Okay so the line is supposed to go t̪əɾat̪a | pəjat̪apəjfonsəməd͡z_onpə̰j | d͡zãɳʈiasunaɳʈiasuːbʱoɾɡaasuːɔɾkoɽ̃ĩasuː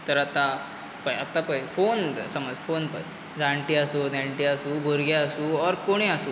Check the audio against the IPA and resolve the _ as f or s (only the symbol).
f